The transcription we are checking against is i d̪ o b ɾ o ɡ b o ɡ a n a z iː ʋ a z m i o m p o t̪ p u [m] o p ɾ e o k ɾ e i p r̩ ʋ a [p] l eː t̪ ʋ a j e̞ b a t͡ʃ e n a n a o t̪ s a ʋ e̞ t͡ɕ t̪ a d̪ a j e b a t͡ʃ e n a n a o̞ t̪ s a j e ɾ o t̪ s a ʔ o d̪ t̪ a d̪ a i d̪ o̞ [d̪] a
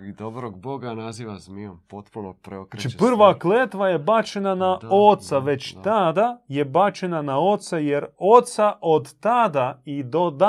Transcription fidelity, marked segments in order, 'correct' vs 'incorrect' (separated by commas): incorrect, incorrect, correct